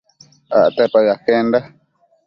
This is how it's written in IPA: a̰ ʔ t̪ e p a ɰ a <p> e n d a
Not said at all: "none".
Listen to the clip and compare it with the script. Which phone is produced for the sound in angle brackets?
k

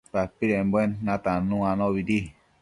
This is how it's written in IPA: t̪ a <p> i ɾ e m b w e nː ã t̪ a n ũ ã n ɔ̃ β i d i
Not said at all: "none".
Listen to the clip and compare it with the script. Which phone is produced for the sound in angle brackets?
p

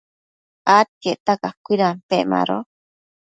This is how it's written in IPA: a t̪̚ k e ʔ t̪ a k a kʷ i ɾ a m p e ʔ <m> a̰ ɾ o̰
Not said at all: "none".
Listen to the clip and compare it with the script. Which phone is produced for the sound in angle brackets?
m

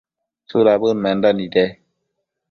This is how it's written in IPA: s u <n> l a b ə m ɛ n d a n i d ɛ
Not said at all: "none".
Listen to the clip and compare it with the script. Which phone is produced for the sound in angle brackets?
none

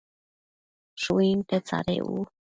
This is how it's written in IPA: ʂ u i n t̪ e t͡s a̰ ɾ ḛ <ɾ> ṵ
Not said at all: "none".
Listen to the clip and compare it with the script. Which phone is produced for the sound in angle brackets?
none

